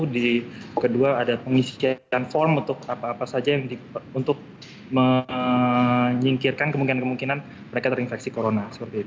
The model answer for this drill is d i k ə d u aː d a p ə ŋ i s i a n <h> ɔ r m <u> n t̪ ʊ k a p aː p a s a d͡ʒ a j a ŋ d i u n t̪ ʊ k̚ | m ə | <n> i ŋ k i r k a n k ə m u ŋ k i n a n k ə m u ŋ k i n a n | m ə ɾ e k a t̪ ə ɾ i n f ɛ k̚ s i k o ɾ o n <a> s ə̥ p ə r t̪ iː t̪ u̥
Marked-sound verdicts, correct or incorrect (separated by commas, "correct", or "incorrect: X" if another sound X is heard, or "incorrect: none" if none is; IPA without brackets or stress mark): incorrect: f, correct, incorrect: ɲ, correct